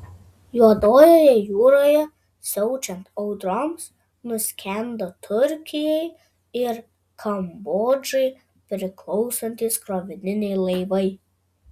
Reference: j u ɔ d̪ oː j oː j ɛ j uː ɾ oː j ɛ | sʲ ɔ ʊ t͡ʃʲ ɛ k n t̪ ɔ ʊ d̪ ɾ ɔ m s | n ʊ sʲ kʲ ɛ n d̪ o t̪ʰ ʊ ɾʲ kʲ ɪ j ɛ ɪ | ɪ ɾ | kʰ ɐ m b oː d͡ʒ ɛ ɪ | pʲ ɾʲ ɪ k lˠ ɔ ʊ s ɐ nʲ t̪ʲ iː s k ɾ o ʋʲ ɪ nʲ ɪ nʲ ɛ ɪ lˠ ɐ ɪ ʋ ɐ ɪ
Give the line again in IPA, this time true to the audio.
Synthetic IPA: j u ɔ d̪ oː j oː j ɛ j uː ɾ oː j ɛ | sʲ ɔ ʊ t͡ʃʲ ɛ n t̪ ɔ ʊ d̪ ɾ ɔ m s | n ʊ sʲ kʲ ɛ n d̪ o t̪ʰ ʊ ɾʲ kʲ ɪ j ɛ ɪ | ɪ ɾ | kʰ ɐ m b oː d͡ʒ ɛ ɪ | pʲ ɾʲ ɪ k lˠ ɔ ʊ s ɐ nʲ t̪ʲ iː s k ɾ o ʋʲ ɪ nʲ ɪ nʲ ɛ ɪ lˠ ɐ ɪ ʋ ɐ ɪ